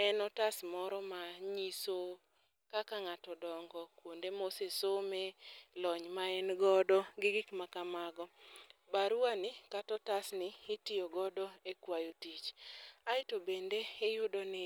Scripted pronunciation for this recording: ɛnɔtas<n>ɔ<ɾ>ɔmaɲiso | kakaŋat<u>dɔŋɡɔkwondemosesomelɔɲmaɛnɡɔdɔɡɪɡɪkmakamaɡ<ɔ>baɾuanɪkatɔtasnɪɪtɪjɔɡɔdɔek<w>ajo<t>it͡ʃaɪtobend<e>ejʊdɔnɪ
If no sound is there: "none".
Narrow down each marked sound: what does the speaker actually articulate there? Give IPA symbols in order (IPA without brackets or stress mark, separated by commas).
m, ɾ, ɔ, ɔ, w, t, e